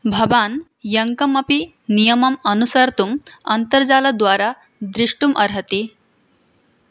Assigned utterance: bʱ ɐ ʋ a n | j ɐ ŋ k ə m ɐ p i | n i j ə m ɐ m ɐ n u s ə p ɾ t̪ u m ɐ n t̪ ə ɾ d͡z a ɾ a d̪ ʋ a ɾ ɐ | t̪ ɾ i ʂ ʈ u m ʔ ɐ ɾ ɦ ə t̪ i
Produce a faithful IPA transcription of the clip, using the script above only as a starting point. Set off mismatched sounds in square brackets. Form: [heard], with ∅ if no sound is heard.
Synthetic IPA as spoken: bʱ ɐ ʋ a n | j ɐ ŋ k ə m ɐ p i | n i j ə m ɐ m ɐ n u s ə [∅] ɾ t̪ u m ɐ n t̪ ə ɾ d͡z a [l] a d̪ ʋ a ɾ [a] | [d̪] ɾ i ʂ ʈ u m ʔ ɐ ɾ ɦ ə t̪ i